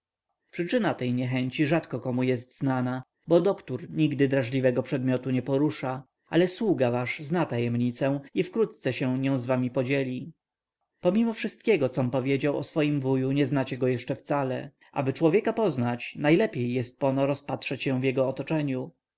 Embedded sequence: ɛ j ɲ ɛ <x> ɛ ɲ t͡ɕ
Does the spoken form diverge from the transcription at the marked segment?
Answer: no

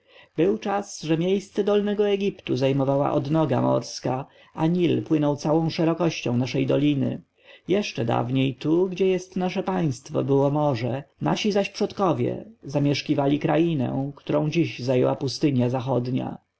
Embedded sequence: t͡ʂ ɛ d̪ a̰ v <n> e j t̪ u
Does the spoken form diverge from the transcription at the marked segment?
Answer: yes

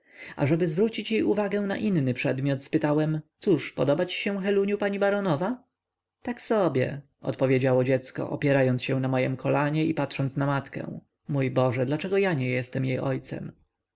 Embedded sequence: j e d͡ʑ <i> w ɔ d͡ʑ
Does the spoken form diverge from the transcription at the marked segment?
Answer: yes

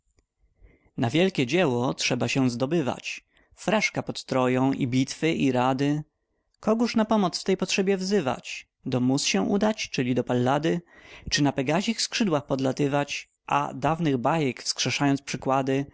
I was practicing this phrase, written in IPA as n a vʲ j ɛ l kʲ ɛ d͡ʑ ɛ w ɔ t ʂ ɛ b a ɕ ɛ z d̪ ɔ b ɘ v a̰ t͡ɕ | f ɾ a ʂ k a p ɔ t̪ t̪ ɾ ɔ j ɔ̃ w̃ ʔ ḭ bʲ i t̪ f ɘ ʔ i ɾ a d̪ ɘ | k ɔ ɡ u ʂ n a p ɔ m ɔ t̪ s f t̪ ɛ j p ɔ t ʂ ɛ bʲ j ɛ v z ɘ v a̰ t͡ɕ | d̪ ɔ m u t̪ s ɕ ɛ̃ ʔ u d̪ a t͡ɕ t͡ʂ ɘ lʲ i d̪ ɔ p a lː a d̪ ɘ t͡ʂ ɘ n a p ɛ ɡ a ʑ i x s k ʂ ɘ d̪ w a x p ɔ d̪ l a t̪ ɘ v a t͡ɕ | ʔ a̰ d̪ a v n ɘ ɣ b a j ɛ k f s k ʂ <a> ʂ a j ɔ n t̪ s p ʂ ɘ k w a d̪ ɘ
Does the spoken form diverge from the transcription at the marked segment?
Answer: yes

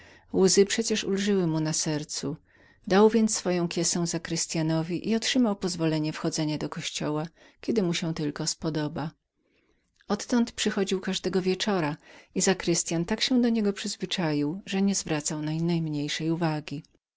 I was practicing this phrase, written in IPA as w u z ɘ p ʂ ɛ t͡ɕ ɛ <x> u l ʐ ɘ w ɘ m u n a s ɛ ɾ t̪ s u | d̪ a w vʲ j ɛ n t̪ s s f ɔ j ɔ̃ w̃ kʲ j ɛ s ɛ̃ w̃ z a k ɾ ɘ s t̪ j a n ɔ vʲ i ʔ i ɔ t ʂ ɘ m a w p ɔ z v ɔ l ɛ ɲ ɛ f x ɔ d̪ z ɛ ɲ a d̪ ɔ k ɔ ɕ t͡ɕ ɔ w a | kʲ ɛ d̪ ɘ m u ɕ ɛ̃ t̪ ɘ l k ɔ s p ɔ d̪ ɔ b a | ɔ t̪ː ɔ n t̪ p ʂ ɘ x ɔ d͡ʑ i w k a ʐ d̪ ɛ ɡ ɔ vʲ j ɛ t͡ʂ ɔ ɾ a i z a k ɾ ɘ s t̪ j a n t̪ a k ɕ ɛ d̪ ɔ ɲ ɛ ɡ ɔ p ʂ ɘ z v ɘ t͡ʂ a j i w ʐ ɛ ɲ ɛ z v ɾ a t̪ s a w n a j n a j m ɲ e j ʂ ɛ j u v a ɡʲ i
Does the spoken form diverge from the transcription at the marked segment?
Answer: yes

